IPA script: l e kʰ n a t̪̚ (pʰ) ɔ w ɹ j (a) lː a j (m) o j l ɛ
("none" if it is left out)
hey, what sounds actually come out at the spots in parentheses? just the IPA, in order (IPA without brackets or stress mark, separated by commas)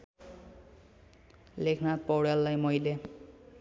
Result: p, a, m